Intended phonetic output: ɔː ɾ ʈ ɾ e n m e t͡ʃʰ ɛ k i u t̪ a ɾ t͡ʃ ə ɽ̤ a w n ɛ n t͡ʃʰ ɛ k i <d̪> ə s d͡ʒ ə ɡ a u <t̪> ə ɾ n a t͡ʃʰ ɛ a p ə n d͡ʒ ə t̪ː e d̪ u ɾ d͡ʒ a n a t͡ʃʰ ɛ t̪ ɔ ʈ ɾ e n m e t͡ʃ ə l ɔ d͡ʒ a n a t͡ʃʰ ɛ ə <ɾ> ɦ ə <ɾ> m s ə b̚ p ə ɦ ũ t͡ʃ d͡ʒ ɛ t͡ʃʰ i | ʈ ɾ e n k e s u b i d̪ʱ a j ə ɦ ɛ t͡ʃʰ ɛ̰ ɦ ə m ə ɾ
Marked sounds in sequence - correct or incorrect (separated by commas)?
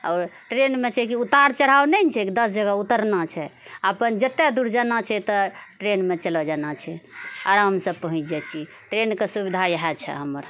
correct, correct, correct, incorrect